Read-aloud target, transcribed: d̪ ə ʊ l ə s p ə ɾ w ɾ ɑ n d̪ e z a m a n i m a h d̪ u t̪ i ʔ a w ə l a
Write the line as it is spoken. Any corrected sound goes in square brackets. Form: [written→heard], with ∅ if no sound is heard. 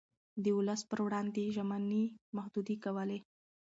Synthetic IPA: d̪ ə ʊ l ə s p ə ɾ w [ɾ→ɽ] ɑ n d̪ e [z→ʒ] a m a n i m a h d̪ u [t̪→d̪] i [ʔ→k] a w ə l [a→e]